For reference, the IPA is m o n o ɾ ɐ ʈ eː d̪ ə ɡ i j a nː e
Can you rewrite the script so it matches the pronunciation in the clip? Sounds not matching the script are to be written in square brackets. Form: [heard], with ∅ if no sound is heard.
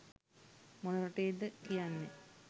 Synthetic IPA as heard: m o n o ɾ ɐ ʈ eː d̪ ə [k] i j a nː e